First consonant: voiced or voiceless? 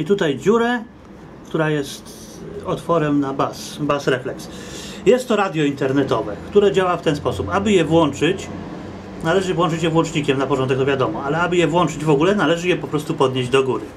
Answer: voiceless